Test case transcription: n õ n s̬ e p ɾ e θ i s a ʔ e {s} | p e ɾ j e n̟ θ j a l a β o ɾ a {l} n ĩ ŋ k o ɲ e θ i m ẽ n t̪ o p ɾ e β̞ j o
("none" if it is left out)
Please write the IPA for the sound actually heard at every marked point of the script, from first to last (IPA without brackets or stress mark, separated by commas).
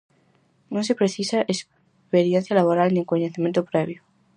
s, l